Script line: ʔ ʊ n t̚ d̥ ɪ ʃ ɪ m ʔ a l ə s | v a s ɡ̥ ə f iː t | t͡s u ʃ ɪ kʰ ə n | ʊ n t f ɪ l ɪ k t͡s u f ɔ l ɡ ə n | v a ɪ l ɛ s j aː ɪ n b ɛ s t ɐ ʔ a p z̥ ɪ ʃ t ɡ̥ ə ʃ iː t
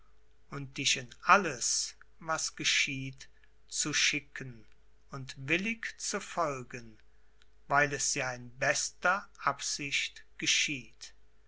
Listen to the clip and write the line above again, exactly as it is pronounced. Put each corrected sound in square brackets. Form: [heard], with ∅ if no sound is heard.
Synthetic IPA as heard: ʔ ʊ n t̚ d̥ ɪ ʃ ɪ [n] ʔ a l ə s | v a s ɡ̥ ə [ʃ] iː t | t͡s u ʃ ɪ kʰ ə n | ʊ n t [v] ɪ l ɪ k t͡s u f ɔ l ɡ ə n | v a ɪ l ɛ s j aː ɪ n b ɛ s t ɐ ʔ a p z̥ ɪ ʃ t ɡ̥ ə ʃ iː t